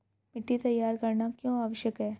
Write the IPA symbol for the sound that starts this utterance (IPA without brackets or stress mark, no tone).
m